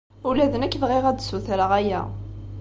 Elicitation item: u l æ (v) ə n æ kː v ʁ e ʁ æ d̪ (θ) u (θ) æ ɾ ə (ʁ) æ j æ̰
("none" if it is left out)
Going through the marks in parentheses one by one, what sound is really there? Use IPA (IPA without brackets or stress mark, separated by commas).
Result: ð, s, θ, ʁ